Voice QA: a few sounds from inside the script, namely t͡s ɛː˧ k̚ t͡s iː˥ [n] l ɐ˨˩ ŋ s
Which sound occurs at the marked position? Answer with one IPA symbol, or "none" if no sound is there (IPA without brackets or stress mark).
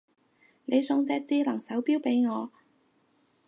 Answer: none